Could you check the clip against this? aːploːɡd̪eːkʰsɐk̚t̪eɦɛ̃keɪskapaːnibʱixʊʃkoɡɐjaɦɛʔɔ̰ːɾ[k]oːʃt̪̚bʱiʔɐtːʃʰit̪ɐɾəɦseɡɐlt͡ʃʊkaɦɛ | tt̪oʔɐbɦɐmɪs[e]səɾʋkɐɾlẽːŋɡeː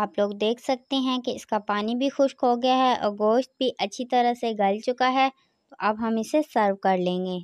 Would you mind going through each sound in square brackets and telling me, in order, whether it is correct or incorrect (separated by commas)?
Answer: incorrect, correct